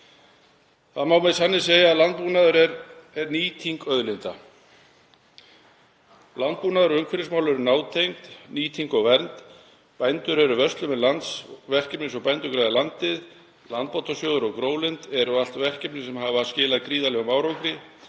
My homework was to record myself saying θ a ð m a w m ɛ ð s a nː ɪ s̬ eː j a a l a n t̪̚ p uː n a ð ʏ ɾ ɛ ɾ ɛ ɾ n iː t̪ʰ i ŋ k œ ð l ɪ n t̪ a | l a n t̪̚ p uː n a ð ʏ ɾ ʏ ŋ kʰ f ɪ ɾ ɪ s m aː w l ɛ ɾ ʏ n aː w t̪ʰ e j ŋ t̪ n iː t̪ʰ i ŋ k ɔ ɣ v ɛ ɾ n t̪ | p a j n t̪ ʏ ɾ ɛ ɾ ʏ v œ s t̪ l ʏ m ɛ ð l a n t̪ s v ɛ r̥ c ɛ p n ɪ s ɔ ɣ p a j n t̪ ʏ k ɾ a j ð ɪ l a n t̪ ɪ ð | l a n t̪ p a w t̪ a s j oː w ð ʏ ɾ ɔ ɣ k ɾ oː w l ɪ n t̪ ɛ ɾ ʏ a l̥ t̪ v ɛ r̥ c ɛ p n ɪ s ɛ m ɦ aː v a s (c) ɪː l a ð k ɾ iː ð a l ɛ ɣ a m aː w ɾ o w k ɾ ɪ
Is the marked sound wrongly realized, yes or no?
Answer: no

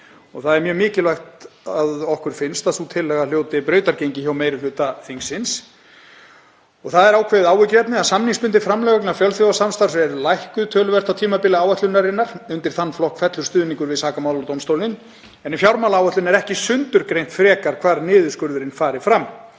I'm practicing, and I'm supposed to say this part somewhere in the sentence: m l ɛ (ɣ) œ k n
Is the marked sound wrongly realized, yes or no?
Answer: no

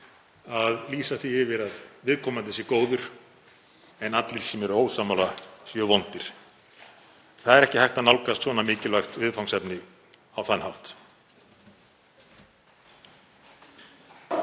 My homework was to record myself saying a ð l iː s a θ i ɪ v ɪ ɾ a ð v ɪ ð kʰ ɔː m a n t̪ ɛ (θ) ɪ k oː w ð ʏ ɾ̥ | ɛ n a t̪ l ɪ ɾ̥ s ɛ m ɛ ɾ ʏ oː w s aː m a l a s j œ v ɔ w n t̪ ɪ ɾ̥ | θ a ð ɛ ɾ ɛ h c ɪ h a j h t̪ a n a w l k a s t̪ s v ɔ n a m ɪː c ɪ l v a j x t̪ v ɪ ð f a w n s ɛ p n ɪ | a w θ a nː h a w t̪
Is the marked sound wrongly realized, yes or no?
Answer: yes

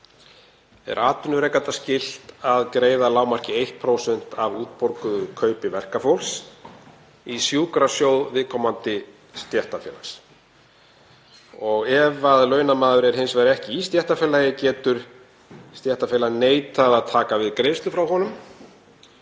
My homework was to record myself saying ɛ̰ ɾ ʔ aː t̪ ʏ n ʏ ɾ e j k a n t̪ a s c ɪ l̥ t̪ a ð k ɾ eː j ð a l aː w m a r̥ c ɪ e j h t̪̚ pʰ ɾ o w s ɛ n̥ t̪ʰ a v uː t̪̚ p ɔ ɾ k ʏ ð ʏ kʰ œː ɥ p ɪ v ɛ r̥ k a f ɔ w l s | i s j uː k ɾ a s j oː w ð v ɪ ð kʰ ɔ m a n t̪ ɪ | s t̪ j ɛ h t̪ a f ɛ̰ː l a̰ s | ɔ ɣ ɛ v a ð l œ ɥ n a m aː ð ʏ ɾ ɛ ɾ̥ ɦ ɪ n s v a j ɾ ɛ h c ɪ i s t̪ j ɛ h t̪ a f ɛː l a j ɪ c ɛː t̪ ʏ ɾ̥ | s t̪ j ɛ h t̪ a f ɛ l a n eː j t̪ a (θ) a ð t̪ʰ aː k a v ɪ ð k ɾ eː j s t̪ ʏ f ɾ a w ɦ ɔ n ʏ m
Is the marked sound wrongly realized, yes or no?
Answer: yes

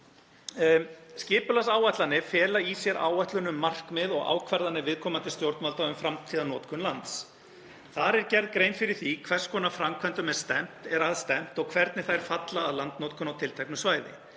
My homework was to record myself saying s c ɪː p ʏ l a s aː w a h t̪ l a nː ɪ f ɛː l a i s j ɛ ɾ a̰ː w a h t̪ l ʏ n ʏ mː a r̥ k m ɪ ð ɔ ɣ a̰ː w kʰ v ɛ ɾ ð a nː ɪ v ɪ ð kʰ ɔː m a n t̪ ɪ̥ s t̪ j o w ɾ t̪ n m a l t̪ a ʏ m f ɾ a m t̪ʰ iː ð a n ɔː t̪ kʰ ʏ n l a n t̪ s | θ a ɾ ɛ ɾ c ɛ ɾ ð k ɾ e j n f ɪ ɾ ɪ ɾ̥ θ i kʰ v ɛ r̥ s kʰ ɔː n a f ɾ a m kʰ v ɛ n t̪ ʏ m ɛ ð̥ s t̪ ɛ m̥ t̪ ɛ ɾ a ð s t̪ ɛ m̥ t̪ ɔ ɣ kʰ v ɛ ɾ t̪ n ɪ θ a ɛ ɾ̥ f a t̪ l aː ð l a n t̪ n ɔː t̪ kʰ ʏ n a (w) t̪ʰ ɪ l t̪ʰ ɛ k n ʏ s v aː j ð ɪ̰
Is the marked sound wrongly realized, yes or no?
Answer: no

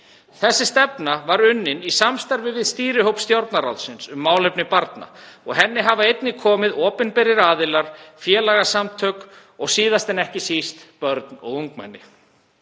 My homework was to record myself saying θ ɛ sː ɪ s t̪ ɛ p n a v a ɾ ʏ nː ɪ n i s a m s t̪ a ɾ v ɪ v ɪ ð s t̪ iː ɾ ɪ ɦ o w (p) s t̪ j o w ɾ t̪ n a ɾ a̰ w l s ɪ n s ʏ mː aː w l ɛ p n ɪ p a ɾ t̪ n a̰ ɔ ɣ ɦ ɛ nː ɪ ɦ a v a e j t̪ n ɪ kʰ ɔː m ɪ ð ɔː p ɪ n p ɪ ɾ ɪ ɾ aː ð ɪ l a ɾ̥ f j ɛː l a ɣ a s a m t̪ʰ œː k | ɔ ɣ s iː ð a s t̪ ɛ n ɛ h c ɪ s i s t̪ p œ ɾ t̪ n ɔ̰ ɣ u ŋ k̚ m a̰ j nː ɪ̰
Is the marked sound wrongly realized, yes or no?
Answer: no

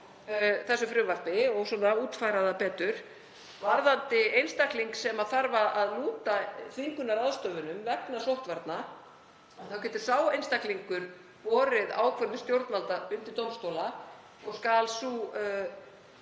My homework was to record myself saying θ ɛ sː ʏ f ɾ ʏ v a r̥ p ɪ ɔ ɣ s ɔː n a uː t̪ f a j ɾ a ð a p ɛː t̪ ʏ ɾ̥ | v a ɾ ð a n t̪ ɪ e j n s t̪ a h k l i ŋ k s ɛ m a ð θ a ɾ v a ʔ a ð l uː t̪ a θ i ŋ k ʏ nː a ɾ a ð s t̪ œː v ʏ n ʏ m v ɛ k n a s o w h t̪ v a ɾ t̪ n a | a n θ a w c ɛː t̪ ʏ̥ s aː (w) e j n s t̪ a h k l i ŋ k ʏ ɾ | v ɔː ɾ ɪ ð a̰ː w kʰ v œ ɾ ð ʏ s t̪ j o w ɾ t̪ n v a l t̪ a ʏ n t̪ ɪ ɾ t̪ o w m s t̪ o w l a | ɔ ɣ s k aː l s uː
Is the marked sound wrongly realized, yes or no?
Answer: no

